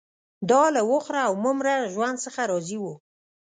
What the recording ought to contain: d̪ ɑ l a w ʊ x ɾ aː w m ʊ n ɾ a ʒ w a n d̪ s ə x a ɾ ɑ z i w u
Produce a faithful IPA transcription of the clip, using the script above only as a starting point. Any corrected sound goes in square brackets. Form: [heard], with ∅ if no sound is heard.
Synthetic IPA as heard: d̪ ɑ l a w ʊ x ɾ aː w m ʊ [m] ɾ a ʒ w a n d̪ s ə x a ɾ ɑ z i w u